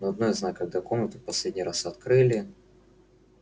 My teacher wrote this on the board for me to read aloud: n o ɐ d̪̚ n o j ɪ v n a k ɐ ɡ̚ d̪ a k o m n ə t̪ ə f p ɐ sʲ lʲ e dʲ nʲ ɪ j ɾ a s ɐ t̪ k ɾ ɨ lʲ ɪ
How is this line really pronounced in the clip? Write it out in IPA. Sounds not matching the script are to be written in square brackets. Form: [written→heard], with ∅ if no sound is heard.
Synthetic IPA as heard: n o ɐ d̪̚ n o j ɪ [v→z] n a k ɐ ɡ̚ d̪ a k o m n ə t̪ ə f p ɐ sʲ lʲ e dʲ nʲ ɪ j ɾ a s ɐ t̪ k ɾ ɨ lʲ ɪ